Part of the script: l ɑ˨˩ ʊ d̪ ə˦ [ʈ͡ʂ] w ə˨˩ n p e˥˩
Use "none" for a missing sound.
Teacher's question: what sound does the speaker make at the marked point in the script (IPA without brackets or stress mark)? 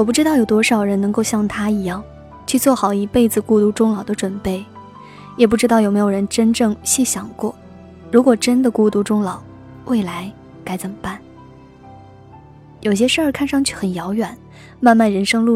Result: ʈ͡ʂ